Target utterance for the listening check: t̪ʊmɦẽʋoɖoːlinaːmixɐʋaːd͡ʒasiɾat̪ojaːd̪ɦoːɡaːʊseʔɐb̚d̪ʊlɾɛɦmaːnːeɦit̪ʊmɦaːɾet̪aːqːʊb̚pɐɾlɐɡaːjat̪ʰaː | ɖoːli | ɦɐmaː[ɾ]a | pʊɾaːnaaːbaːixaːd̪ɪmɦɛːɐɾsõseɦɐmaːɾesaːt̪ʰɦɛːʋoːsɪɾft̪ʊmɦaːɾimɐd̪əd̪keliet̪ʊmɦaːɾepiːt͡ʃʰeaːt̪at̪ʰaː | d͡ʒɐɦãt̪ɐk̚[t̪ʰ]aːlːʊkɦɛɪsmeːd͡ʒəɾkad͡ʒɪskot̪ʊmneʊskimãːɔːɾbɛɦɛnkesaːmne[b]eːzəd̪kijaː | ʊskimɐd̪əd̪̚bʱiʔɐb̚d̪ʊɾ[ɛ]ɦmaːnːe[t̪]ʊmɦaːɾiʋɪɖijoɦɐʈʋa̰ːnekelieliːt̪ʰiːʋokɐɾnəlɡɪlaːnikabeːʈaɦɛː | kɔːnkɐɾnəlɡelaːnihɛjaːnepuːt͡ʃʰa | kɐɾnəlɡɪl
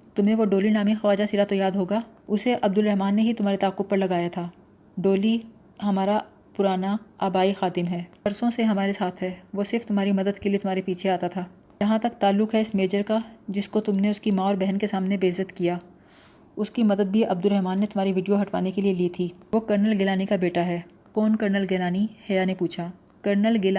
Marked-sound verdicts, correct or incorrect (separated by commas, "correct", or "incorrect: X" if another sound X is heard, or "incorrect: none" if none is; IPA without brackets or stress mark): correct, incorrect: t̪, correct, correct, correct